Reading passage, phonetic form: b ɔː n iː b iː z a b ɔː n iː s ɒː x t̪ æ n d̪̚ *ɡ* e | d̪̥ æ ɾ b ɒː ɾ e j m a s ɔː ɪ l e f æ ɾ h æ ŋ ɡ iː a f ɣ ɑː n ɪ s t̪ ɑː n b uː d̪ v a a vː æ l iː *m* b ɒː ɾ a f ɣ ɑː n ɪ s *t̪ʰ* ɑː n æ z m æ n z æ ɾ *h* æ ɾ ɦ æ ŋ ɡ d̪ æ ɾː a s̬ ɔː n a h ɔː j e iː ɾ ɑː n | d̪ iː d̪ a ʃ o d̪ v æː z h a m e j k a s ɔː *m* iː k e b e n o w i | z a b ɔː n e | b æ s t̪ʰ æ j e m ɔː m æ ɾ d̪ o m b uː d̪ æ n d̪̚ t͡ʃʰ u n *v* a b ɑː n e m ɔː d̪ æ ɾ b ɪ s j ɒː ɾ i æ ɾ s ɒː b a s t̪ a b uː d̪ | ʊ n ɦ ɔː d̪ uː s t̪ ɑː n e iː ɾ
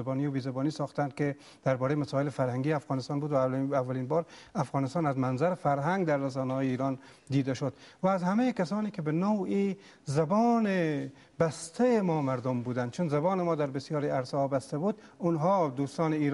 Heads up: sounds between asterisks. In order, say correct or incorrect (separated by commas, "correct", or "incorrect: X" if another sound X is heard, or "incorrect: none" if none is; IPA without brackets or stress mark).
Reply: incorrect: k, incorrect: n, incorrect: t̪, incorrect: f, incorrect: n, incorrect: z